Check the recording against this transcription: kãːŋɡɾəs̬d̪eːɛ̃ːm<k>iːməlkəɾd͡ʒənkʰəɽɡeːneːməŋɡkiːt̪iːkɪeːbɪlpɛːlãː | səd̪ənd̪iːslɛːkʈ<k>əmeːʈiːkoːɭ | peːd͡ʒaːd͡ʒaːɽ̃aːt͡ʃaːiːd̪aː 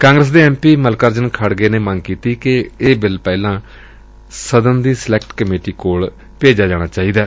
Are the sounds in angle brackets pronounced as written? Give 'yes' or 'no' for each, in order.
no, yes

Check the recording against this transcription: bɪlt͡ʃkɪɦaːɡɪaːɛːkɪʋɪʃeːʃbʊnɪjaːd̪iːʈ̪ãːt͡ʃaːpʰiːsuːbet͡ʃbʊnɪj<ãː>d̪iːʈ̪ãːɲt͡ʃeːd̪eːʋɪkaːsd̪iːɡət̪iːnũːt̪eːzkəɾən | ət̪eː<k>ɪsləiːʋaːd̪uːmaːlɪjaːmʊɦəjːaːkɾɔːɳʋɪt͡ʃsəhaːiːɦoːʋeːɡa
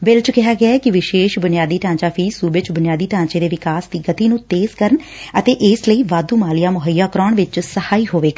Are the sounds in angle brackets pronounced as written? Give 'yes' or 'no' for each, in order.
no, no

